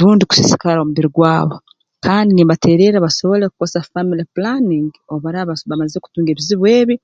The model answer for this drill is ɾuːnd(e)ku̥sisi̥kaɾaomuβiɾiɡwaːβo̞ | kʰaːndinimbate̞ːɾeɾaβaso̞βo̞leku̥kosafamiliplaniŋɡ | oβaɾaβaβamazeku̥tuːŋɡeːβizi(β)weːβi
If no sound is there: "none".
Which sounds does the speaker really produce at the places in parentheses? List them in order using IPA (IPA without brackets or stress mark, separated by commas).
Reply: i, β